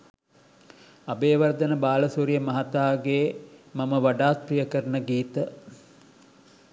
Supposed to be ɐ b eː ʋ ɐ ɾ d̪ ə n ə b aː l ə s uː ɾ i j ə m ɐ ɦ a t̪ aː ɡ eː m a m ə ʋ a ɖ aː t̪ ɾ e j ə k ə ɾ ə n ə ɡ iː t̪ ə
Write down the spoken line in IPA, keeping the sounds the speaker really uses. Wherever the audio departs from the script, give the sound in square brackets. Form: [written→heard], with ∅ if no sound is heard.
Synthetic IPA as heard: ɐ b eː ʋ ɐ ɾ d̪ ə n ə b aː l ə s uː ɾ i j ə m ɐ ɦ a t̪ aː ɡ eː m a m ə ʋ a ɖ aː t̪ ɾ [e→i] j ə k ə ɾ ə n ə ɡ iː t̪ ə